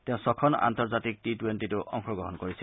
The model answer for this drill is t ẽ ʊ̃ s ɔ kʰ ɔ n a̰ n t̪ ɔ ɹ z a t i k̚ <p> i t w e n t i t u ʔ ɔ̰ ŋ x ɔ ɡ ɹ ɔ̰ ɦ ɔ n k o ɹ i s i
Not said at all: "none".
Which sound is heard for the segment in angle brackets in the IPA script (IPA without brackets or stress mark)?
t